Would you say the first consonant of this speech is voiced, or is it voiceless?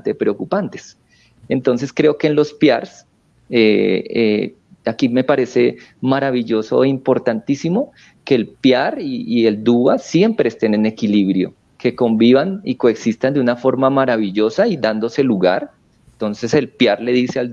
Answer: voiceless